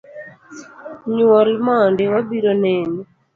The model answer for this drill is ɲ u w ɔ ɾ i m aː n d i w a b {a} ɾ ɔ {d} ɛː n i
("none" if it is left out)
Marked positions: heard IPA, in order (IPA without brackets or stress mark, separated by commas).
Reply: i, n